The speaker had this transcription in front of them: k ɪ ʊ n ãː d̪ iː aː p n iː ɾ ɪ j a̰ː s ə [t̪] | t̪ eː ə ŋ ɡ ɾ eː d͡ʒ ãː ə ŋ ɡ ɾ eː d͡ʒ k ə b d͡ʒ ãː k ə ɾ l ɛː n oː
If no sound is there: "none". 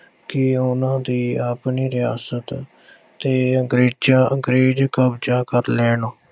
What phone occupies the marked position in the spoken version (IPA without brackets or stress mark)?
t̪